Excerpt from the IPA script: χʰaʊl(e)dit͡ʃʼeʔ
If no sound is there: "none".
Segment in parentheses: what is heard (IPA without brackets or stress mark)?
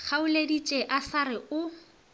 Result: e